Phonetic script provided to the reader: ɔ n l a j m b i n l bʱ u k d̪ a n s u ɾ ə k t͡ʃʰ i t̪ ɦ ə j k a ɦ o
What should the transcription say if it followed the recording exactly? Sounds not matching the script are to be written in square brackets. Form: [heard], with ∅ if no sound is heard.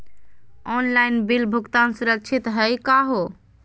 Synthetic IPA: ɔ n l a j [n] b i [∅] l bʱ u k [t̪] a n s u ɾ ə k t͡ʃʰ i t̪ ɦ ə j k a ɦ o